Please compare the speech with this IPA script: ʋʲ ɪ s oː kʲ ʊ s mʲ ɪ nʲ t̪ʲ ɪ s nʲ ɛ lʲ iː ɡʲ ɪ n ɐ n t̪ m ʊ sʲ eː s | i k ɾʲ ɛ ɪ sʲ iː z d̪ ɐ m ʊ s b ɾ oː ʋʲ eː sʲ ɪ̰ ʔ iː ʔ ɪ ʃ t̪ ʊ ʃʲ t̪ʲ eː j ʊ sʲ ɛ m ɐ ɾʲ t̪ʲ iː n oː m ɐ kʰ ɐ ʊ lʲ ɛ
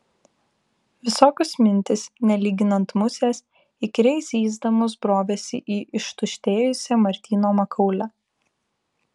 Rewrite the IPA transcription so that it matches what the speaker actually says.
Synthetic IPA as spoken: ʋʲ ɪ s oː kʲ ʊ s mʲ ɪ nʲ t̪ʲ ɪ s nʲ ɛ lʲ iː ɡʲ ɪ n ɐ n t̪ m ʊ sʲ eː s | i k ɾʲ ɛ ɪ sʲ iː z d̪ ɐ m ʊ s b ɾ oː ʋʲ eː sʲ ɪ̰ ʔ iː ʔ ɪ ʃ t̪ ʊ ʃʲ t̪ʲ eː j ʊ sʲ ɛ m ɐ ɾʲ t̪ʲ iː n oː m ɐ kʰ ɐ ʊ lʲ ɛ